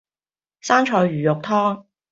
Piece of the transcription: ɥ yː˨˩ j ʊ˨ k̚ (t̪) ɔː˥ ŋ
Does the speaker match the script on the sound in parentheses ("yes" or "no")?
no